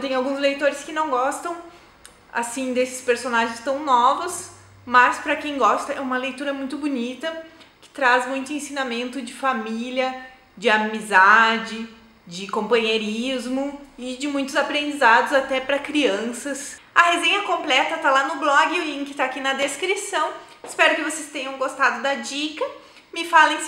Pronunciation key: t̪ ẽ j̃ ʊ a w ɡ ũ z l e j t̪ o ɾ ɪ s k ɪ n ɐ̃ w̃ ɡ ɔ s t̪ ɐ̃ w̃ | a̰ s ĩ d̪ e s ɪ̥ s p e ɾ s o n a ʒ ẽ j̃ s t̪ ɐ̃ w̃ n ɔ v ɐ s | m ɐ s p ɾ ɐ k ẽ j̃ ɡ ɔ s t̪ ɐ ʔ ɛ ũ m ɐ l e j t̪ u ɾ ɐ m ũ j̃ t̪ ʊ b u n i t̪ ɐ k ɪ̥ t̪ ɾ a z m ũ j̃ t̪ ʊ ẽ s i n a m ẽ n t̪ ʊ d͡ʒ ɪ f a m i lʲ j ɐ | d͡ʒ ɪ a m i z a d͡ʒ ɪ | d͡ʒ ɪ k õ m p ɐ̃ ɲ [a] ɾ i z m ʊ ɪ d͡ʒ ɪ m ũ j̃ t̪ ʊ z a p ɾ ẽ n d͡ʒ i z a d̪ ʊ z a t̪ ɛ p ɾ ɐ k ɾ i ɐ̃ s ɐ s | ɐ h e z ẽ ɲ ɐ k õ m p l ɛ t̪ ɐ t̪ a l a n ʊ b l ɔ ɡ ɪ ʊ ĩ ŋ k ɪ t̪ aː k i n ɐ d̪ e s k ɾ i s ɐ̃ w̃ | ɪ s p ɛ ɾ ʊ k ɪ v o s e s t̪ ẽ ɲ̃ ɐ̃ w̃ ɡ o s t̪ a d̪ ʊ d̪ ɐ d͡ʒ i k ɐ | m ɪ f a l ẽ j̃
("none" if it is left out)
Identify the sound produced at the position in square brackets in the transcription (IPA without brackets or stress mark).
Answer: e